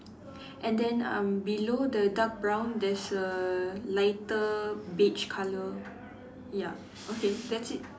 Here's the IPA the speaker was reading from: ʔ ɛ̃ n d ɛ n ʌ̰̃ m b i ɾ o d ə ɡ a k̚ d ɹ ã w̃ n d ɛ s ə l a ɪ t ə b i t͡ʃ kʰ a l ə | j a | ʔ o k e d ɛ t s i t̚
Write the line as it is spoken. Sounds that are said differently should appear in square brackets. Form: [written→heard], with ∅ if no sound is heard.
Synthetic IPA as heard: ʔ ɛ̃ n d [ɛ→ɛ̃] n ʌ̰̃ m b i [ɾ→l] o d ə [ɡ→d] a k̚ [d→b] ɹ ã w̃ n d ɛ s ə l a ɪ t ə b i t͡ʃ kʰ a l ə | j a | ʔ o k e d ɛ t s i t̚